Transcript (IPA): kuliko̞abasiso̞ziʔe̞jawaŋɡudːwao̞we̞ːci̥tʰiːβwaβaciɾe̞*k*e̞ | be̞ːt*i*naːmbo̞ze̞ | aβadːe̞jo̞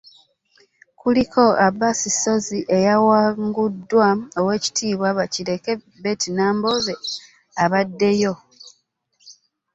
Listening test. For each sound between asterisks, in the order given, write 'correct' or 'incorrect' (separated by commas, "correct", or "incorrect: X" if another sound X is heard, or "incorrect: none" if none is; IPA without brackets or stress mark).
correct, correct